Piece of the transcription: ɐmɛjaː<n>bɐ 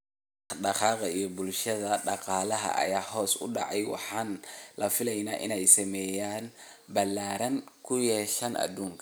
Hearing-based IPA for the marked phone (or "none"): n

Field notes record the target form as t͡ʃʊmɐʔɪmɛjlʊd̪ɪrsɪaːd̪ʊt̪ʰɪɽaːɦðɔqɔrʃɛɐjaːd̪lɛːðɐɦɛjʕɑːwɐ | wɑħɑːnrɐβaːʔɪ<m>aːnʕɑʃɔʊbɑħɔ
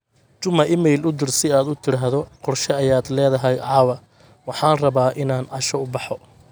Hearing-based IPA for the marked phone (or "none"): n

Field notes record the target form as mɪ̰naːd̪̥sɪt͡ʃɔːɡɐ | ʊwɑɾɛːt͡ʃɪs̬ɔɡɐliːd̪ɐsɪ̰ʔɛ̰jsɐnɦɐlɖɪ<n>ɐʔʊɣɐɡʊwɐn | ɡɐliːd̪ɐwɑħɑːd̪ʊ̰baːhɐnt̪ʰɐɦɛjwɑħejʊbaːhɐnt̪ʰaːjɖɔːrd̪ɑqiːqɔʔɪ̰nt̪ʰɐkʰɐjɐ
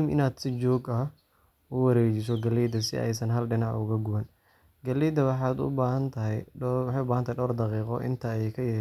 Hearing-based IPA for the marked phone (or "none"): n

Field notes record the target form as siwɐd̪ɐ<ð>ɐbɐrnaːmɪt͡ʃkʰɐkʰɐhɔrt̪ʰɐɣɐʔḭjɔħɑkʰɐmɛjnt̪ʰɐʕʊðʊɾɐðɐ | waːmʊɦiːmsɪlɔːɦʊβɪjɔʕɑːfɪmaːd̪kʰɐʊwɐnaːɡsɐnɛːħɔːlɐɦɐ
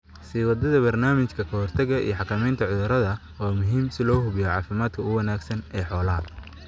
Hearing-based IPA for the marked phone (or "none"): ð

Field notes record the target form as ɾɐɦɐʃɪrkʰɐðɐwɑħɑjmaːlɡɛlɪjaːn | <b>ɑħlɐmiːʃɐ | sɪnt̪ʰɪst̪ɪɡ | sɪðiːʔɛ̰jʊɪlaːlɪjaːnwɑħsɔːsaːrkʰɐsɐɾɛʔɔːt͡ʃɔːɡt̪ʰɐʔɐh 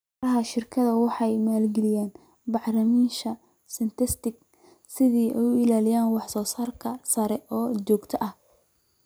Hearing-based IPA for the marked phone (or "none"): b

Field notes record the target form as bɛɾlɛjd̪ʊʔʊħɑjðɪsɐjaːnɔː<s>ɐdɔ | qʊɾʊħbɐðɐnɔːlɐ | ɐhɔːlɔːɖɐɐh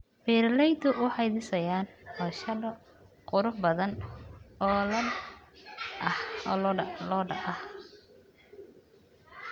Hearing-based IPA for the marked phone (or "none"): ʃ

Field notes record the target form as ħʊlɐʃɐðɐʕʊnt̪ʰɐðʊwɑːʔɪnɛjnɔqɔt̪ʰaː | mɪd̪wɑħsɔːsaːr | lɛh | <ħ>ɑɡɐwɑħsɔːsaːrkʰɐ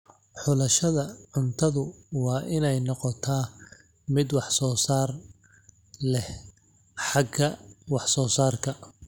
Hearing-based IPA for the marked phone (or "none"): ħ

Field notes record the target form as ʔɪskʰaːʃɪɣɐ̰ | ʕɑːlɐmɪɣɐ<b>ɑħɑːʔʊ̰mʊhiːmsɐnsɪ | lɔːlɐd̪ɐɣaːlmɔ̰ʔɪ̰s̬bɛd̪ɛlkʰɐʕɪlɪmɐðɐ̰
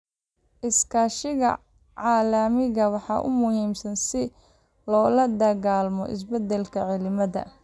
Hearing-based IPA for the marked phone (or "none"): w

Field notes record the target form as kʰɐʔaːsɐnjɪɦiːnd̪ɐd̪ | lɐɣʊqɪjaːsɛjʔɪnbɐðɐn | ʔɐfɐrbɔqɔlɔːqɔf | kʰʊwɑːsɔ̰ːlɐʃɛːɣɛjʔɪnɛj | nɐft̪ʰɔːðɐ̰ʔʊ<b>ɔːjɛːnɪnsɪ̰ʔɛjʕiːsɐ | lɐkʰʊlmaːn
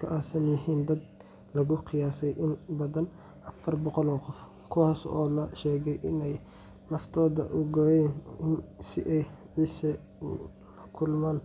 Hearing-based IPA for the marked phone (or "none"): ɡ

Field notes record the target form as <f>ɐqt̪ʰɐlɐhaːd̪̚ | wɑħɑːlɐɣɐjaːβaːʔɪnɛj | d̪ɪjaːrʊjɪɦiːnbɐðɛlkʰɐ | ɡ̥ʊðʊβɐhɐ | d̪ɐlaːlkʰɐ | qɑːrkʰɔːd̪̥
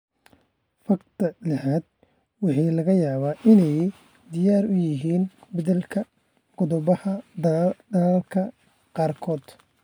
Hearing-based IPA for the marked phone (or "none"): f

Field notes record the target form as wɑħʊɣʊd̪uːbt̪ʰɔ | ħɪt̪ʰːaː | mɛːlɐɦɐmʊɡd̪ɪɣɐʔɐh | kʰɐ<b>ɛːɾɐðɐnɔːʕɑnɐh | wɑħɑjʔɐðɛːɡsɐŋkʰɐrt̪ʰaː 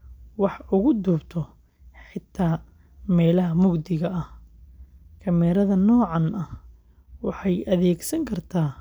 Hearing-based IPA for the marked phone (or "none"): m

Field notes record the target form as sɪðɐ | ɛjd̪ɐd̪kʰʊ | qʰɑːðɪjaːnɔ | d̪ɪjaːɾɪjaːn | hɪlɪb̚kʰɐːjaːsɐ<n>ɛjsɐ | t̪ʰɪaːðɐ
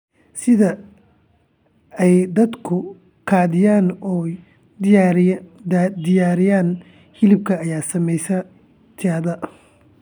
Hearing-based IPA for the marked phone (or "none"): m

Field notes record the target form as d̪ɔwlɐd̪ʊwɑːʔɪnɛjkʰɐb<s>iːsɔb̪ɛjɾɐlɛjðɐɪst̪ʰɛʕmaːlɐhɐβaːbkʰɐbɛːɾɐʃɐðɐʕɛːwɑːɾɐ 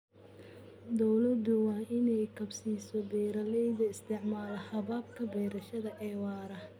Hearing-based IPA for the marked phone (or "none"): s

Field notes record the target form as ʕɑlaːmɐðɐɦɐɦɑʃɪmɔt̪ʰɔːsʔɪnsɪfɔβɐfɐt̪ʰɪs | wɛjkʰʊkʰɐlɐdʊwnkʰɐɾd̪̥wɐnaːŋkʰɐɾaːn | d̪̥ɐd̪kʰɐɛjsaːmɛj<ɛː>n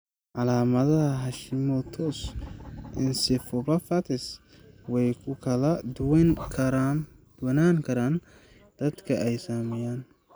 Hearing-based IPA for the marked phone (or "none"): aː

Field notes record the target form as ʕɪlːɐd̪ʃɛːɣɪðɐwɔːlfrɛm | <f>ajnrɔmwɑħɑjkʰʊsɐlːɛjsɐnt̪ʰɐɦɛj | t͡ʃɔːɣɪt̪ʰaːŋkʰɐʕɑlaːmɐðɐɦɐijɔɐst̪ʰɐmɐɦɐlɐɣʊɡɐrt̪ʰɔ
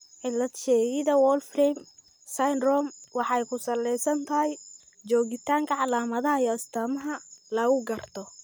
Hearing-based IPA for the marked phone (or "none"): s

